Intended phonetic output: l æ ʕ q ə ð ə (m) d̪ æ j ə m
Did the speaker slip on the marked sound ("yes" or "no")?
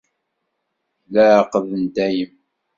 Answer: yes